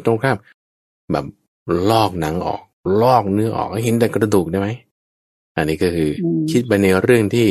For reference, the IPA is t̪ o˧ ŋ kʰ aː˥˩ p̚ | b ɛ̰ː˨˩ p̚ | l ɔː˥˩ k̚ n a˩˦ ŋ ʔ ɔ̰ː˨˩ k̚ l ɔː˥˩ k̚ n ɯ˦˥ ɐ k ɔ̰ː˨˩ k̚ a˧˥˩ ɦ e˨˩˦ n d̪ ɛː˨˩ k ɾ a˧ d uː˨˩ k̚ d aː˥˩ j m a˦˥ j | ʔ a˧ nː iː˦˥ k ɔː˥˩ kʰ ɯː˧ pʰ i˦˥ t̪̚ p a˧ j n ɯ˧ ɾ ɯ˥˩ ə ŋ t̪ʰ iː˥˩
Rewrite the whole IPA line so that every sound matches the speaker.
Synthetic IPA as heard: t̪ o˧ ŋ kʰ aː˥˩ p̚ | b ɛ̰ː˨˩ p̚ | l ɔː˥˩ k̚ n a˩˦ ŋ ʔ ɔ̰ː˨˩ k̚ l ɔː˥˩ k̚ n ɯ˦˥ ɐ ʔ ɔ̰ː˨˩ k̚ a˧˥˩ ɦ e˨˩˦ n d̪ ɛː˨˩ k ɾ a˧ d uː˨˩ k̚ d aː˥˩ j m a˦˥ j | ʔ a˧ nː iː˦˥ k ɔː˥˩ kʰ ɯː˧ kʰ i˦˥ t̪̚ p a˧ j n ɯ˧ ɾ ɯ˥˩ ə ŋ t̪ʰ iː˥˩